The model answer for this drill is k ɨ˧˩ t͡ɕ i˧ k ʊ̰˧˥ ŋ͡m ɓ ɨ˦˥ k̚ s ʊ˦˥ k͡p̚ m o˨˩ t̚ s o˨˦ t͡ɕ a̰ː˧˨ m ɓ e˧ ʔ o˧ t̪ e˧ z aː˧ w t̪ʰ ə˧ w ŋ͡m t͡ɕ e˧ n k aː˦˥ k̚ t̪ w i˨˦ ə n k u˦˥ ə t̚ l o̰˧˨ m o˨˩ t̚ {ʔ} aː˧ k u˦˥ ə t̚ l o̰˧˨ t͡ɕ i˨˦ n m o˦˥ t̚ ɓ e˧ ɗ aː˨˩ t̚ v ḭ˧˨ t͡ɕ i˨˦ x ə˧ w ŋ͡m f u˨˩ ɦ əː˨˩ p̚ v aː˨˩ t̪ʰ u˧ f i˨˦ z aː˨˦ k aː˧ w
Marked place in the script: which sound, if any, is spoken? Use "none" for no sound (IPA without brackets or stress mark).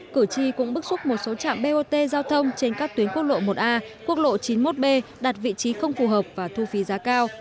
ʔ